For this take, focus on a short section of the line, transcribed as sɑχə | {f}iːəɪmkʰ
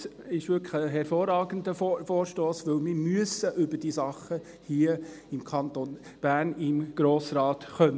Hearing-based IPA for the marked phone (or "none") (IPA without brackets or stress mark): h